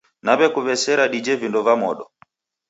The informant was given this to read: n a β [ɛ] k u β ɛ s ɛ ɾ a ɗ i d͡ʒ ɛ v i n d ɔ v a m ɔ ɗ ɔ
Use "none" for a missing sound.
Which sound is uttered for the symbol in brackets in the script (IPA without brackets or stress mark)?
ɛ